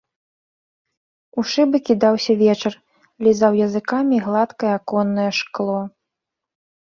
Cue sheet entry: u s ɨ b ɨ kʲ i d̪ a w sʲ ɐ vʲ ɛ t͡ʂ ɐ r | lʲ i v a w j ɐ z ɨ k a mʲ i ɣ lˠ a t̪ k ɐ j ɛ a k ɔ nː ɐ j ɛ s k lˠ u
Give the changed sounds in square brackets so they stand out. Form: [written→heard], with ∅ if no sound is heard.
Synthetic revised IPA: u [s→ʂ] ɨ b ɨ kʲ i d̪ a w sʲ ɐ vʲ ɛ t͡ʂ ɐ r | lʲ i [v→z] a w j ɐ z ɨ k a mʲ i ɣ lˠ a t̪ k ɐ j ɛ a k ɔ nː ɐ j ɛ [s→ʂ] k lˠ [u→ɔ]

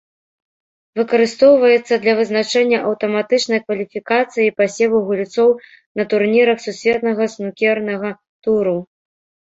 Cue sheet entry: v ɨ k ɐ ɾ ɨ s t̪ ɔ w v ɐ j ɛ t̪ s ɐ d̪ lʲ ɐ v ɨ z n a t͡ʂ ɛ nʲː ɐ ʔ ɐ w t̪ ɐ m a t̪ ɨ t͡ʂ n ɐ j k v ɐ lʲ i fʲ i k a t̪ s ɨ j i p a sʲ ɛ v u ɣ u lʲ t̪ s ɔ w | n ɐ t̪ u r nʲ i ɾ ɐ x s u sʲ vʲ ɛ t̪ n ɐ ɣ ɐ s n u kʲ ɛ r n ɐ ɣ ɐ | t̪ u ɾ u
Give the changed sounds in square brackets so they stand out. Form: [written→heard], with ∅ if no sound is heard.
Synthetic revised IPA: v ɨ k ɐ ɾ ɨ s t̪ ɔ w v ɐ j ɛ t̪ [s→sː] ɐ d̪ lʲ ɐ v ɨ z n a t͡ʂ ɛ nʲː ɐ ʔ ɐ w t̪ ɐ m a t̪ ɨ t͡ʂ n ɐ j k v ɐ lʲ i fʲ i k a t̪ s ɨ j i p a sʲ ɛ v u ɣ u lʲ t̪ s ɔ w | n ɐ t̪ u r nʲ i ɾ ɐ x s u sʲ vʲ ɛ t̪ n ɐ ɣ ɐ s n u kʲ ɛ r n ɐ ɣ ɐ | t̪ u ɾ u

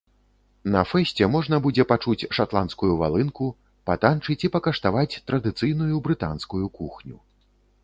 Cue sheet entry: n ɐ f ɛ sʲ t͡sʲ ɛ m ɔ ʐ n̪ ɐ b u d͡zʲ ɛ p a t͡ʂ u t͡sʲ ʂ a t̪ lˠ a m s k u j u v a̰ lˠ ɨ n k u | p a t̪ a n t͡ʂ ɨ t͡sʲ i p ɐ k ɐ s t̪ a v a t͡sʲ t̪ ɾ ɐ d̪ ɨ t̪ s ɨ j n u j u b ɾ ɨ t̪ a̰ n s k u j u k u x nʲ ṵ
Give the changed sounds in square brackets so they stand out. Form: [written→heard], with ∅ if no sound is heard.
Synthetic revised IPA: n ɐ f ɛ sʲ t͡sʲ ɛ m ɔ ʐ n̪ ɐ b u d͡zʲ ɛ p a t͡ʂ u t͡sʲ ʂ a t̪ lˠ a [m→n] s k u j u v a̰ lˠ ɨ n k u | p a t̪ a n t͡ʂ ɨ t͡sʲ i p ɐ k ɐ [s→ʂ] t̪ a v a t͡sʲ t̪ ɾ ɐ d̪ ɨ t̪ s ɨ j n u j u b ɾ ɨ t̪ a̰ n s k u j u k u x nʲ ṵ

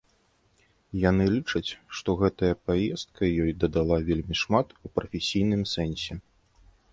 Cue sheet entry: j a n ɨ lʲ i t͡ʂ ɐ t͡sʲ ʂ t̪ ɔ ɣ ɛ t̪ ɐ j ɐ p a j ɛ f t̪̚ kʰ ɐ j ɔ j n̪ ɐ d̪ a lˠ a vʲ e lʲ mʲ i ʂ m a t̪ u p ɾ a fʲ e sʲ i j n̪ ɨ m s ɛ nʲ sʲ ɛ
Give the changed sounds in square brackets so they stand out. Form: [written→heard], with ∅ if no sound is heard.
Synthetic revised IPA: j a n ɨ lʲ i t͡ʂ ɐ t͡sʲ ʂ t̪ ɔ ɣ ɛ t̪ ɐ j ɐ p a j ɛ [f→s] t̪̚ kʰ ɐ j ɔ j [n̪→d̪] ɐ d̪ a lˠ a vʲ e lʲ mʲ i ʂ m a t̪ u p ɾ [a→ɐ] fʲ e sʲ i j n̪ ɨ m s ɛ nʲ sʲ ɛ

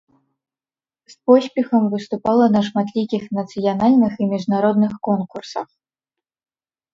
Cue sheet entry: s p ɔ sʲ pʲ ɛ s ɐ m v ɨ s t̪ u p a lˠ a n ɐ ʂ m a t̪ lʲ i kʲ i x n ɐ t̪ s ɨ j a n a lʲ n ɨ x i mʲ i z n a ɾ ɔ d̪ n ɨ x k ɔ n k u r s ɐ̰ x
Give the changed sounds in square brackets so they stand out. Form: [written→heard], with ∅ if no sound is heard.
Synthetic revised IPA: s p ɔ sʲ pʲ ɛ [s→x] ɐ m v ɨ s t̪ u p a lˠ [a→ɐ] n ɐ ʂ m a t̪ lʲ i kʲ i x n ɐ t̪ s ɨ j a n a lʲ n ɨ x i mʲ i [z→ʐ] n a ɾ ɔ d̪ n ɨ x k ɔ n k u r s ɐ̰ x

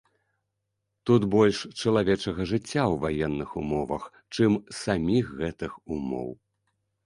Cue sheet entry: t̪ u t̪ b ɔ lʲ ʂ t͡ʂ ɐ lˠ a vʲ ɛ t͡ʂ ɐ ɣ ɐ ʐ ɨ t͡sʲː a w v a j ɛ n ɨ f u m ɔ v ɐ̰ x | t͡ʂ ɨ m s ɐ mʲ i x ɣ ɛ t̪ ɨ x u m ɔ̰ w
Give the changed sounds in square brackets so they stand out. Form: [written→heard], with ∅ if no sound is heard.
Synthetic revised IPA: t̪ u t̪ b ɔ lʲ ʂ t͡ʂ ɐ lˠ a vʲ ɛ t͡ʂ ɐ ɣ ɐ ʐ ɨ t͡sʲː a w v a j ɛ [n→nː] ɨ [f→x] u m ɔ v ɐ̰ x | t͡ʂ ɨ m s [ɐ→a] mʲ i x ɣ ɛ t̪ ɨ x u m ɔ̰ w

